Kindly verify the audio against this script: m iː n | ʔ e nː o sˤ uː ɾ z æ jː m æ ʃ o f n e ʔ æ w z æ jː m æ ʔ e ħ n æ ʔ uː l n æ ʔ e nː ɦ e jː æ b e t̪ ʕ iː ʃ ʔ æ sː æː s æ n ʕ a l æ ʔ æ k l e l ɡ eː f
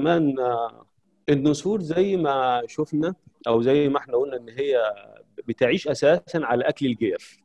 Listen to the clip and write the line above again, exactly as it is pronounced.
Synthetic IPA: m æː n | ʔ e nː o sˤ uː ɾ z æ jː m æ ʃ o f n æ ʔ æ w z æ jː m æ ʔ e ħ n æ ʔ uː l n æ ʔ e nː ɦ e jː æ b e t̪ ʕ iː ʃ ʔ æ s æː s æ n ʕ a l æ ʔ æ k l e l ɡ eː f